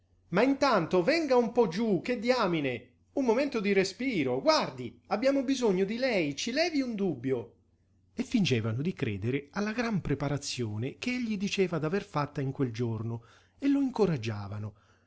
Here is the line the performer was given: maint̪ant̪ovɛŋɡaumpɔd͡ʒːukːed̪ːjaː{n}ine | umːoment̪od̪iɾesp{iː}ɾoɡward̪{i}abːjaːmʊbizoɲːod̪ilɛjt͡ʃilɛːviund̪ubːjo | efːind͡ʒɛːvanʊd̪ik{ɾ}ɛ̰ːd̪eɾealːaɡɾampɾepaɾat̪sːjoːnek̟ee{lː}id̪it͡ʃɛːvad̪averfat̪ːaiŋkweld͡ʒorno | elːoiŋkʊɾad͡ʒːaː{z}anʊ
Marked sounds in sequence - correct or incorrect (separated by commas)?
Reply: incorrect, correct, correct, correct, incorrect, incorrect